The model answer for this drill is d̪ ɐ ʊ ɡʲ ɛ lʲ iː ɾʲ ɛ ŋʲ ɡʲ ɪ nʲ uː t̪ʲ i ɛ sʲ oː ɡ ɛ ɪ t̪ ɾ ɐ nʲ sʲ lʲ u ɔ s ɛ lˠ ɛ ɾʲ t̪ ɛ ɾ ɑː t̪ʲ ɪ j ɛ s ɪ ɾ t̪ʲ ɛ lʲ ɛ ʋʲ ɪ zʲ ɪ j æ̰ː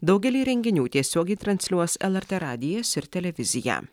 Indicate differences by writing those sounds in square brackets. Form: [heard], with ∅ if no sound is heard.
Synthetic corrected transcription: d̪ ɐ ʊ ɡʲ ɛ lʲ iː ɾʲ ɛ ŋʲ ɡʲ ɪ nʲ uː t̪ʲ i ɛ sʲ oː ɡ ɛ ɪ t̪ ɾ ɐ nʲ sʲ lʲ u ɔ s ɛ lˠ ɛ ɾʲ t̪ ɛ ɾ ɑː [d̪ʲ] ɪ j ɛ s ɪ ɾ t̪ʲ ɛ lʲ ɛ ʋʲ ɪ zʲ ɪ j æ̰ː